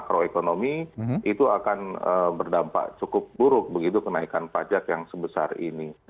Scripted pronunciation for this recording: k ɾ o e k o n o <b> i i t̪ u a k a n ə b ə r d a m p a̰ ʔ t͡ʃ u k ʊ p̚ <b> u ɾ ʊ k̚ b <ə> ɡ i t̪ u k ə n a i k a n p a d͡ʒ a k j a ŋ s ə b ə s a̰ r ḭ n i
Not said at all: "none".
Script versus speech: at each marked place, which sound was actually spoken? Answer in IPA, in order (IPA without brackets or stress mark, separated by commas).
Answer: m, b, ə